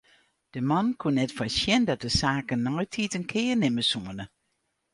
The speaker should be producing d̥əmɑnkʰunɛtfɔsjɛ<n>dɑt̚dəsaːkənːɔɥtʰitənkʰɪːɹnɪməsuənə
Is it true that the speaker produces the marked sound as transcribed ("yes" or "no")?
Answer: yes